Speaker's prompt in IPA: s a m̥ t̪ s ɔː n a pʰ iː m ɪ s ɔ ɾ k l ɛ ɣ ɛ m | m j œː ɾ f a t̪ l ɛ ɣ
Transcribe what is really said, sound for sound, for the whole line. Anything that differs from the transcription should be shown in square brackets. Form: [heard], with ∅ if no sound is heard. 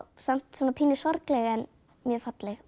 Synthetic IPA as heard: s a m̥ t̪ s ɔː n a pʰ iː [n] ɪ s ɔ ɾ k l ɛ ɣ ɛ [n] | m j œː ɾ f a t̪ l ɛ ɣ